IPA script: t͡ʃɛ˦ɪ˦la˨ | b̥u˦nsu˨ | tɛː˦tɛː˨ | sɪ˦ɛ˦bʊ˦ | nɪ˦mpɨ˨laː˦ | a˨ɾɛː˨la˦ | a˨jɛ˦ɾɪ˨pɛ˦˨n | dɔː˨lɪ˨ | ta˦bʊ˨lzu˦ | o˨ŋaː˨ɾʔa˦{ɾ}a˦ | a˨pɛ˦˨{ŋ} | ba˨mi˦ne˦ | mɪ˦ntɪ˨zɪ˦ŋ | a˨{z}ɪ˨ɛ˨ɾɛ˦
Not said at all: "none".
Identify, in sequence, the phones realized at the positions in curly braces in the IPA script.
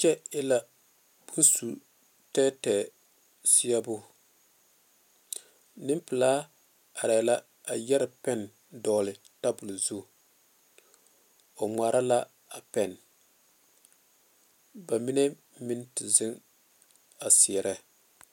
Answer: l, n, s

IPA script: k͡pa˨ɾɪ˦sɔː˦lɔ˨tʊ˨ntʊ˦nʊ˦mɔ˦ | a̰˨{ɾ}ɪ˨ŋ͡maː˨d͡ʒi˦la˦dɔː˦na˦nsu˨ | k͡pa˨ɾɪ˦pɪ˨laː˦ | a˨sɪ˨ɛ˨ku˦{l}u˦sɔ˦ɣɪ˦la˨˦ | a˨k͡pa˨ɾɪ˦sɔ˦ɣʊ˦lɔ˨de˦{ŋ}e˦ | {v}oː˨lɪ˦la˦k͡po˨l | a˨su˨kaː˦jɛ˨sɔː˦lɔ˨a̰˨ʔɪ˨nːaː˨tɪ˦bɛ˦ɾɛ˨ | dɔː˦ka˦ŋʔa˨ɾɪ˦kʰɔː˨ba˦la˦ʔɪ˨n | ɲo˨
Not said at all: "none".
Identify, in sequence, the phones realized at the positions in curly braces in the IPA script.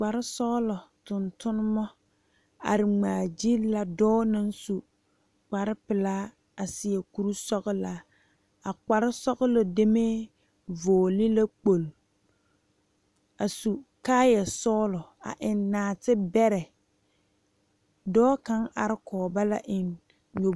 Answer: ɾ, ɾ, m, v

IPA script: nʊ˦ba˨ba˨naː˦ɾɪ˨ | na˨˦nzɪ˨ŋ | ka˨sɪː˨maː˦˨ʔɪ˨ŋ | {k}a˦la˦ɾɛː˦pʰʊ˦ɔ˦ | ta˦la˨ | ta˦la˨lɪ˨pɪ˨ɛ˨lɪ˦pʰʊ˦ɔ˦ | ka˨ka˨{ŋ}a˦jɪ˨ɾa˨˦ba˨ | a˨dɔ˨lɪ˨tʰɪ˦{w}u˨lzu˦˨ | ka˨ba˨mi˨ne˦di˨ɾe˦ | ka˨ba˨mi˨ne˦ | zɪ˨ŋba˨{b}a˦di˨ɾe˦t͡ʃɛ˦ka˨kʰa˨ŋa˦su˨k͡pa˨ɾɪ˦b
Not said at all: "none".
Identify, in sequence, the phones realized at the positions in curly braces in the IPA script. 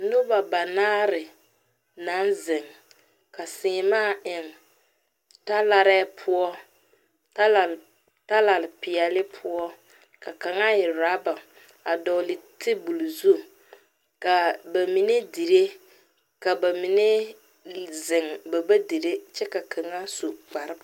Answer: t, ŋ, b, b

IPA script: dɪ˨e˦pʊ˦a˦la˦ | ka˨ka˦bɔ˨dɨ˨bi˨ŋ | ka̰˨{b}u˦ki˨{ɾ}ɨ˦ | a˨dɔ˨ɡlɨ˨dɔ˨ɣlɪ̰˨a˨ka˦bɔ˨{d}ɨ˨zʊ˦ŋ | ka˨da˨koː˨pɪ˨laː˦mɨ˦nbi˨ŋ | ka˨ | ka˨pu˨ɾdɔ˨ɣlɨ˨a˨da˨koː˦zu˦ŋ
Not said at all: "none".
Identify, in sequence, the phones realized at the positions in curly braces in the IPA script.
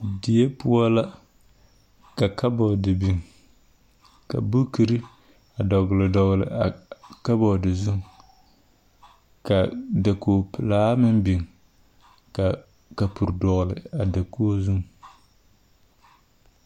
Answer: b, ɾ, d

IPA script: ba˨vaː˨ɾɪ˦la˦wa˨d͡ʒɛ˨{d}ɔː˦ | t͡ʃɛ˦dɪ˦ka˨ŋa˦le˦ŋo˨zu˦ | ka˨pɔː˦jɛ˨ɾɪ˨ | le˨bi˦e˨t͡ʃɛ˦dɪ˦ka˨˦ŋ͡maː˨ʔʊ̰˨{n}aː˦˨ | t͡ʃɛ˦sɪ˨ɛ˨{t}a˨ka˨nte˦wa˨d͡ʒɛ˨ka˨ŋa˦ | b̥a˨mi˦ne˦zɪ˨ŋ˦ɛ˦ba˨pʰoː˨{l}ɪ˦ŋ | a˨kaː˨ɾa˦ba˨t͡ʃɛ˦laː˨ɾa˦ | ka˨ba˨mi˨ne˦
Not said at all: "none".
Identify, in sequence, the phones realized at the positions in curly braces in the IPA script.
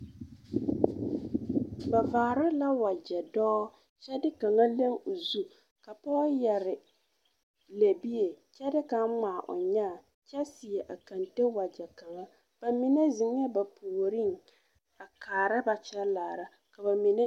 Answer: d, ɲ, ʔ, ɾ

